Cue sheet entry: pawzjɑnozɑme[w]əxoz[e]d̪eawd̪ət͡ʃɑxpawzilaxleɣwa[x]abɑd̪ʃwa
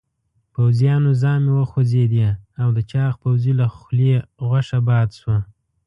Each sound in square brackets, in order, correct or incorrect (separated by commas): correct, correct, incorrect